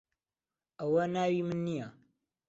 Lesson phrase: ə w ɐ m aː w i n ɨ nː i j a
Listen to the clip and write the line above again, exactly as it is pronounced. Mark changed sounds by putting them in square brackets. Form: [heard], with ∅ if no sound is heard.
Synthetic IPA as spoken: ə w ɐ [n] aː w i [m] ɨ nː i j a